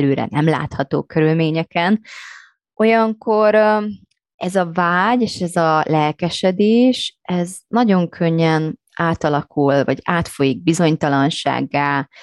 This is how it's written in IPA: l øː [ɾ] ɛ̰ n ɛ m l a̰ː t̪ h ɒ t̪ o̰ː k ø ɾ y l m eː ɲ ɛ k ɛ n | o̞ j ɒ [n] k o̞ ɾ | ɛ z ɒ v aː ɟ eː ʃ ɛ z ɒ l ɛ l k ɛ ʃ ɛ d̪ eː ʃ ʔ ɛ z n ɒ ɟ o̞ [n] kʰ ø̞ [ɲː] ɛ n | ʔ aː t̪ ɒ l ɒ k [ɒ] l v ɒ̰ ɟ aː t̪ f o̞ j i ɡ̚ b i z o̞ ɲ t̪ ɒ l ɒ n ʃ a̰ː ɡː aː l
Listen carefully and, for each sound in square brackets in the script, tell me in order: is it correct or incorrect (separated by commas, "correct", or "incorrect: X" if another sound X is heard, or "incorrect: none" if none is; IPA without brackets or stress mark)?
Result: correct, incorrect: ŋ, incorrect: ŋ, correct, incorrect: u